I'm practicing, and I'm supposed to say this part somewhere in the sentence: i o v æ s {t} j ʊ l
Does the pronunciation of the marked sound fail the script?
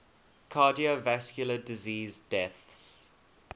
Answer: yes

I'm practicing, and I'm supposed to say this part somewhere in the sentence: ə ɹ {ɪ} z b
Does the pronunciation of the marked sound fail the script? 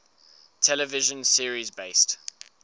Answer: yes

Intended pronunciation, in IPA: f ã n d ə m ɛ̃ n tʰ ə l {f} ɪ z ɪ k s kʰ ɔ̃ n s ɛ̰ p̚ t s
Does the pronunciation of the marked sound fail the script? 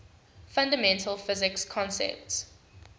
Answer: no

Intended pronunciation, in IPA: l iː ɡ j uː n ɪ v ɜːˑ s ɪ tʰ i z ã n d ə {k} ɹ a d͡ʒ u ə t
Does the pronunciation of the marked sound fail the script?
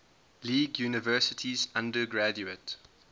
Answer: yes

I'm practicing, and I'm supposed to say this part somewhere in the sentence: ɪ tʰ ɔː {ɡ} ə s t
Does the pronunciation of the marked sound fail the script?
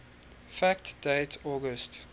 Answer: no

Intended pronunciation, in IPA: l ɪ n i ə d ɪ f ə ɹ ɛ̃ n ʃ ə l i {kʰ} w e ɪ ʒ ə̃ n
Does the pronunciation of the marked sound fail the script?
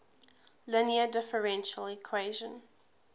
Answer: no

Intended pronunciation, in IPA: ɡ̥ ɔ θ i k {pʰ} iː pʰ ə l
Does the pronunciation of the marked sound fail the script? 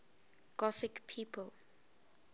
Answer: no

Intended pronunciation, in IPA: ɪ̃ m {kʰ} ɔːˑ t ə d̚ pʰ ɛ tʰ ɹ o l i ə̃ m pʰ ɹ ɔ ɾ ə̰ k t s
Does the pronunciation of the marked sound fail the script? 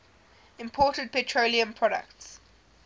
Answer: yes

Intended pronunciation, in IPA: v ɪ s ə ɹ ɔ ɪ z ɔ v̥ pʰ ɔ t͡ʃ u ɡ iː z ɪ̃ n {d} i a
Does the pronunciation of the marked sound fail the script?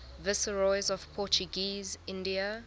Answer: no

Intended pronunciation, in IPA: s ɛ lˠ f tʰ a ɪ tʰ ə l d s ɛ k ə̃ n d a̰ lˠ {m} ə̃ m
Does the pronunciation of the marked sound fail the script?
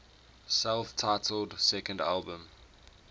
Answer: yes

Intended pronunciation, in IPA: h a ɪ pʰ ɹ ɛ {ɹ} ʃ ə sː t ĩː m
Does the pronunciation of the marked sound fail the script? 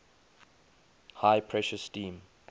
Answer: yes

